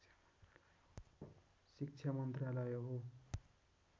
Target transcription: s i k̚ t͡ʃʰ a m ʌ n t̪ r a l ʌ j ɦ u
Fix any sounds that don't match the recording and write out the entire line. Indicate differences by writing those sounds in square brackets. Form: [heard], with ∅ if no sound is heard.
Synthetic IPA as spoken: s i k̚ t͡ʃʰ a m ʌ n t̪ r a l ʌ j ɦ [o]